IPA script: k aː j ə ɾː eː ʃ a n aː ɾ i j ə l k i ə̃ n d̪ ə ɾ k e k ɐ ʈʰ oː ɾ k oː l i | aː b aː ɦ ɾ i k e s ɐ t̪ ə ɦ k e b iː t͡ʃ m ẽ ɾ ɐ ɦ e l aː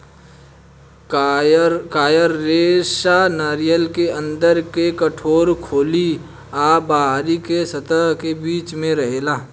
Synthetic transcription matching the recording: k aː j ə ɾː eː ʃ a n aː ɾ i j ə l k e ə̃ n d̪ ə ɾ k e k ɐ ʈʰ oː ɾ kʰ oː l i | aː b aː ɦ ɾ i k e s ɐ t̪ ə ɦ k e b iː t͡ʃ m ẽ ɾ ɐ ɦ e l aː